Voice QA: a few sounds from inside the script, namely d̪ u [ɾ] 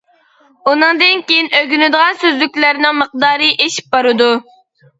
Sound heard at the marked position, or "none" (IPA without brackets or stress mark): none